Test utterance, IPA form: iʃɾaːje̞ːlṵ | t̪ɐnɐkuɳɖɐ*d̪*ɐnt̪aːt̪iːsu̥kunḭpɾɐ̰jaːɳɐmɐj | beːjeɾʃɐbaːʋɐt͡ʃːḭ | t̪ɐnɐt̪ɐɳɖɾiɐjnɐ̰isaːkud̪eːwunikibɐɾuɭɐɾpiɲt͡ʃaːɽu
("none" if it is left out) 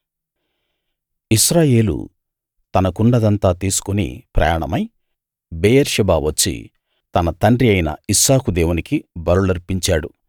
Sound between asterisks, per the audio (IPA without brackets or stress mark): d̪